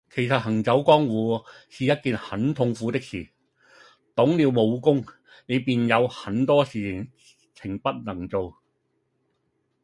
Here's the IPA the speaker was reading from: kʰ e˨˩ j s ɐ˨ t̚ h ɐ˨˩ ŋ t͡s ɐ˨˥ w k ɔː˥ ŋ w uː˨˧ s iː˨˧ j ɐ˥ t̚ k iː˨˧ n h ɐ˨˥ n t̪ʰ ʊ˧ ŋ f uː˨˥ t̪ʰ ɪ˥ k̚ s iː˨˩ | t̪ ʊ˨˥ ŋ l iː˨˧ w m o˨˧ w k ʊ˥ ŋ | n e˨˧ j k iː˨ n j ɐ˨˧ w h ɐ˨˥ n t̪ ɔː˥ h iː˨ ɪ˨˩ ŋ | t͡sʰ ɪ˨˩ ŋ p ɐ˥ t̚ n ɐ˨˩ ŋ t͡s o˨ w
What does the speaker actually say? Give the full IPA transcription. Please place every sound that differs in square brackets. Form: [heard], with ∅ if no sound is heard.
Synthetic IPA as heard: kʰ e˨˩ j s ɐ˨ t̚ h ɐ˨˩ ŋ t͡s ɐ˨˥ w k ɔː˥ ŋ w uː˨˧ s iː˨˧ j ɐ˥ t̚ k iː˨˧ n h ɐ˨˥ n t̪ʰ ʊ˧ ŋ f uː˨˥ [t̪] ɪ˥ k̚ s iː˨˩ | t̪ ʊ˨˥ ŋ l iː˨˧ w m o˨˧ w k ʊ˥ ŋ | n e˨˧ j [p] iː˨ n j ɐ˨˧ w h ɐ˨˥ n t̪ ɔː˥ [s] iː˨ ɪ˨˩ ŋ | t͡sʰ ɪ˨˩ ŋ p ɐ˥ t̚ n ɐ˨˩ ŋ t͡s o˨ w